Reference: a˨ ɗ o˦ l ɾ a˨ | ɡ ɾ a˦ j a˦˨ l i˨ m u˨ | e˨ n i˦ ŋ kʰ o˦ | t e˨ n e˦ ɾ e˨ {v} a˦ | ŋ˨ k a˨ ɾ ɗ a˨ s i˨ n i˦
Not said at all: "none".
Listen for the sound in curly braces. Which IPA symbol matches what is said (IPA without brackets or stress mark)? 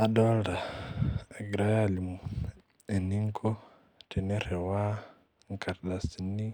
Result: w